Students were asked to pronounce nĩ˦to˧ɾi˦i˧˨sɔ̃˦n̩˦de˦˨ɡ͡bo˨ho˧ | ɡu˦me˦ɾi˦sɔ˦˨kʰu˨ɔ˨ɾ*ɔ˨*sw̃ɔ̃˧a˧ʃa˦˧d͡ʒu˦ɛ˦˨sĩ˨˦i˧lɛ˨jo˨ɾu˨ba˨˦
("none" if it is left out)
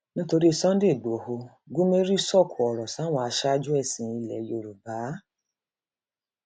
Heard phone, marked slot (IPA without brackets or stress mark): ɔ˨